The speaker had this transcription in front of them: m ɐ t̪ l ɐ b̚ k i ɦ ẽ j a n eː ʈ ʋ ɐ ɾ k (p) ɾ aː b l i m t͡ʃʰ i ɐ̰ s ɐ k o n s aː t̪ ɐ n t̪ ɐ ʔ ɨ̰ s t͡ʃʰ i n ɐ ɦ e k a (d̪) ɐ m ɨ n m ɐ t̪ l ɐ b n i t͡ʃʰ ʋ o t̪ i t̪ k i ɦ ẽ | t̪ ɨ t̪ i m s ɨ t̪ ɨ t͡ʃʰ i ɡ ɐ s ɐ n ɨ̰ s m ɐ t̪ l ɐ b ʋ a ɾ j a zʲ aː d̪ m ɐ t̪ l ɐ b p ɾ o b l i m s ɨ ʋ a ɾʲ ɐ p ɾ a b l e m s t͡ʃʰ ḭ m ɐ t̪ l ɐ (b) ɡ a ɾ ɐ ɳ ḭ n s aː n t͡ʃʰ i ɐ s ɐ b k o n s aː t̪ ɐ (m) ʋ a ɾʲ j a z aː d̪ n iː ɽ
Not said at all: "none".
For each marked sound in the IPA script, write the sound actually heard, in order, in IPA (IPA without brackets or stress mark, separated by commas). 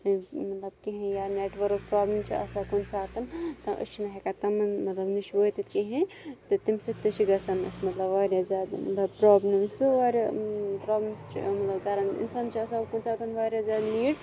p, t̪, b, n